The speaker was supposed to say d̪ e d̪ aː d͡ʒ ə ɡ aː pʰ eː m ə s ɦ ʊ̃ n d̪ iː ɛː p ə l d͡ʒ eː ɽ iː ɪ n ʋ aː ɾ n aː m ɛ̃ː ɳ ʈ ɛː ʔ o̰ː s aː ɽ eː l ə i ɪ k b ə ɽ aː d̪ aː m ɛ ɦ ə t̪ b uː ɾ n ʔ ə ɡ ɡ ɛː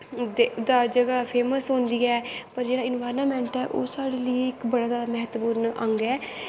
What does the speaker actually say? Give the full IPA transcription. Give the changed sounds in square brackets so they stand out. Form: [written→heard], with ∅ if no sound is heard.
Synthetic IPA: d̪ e d̪ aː d͡ʒ ə ɡ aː pʰ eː m ə s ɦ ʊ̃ n d̪ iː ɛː p ə [l→ɾ] d͡ʒ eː ɽ [iː→aː] ɪ n ʋ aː ɾ n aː m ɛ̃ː ɳ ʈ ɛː ʔ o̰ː s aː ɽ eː l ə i ɪ k b ə ɽ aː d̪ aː m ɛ ɦ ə t̪ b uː ɾ n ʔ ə [ɡ→ŋ] ɡ ɛː